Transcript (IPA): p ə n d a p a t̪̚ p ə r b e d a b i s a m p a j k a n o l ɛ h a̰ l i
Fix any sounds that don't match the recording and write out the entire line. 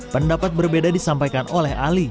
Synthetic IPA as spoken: p ə n d a p a t̪̚ b ə r b e d a d i s a m p a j k a n o l ɛ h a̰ l i